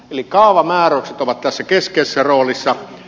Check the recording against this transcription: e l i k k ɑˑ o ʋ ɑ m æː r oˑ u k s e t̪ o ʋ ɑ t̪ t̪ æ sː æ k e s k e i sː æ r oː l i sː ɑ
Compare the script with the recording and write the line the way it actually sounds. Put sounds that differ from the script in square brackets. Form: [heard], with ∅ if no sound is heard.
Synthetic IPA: e l i k k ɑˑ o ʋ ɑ m æː r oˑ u k s e t̪ o ʋ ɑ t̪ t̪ æ sː æ k e s k e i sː æ r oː l i sː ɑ